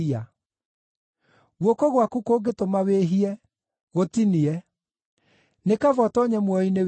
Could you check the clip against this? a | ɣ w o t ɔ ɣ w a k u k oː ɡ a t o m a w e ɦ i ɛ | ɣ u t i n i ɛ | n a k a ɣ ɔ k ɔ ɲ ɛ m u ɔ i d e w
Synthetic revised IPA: a | ɣ w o k ɔ ɣ w a k u k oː ɡ e t o m a w e ɦ i ɛ | ɣ o t i n i ɛ | n e k a v ɔ t ɔ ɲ ɛ m w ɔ i n e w